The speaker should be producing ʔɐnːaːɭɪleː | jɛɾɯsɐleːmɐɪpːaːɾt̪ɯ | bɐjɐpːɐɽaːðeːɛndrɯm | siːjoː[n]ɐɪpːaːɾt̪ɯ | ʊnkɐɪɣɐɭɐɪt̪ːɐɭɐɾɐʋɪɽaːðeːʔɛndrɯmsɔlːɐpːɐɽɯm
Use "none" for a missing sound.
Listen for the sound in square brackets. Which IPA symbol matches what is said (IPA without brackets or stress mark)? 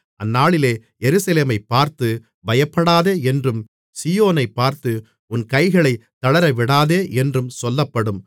n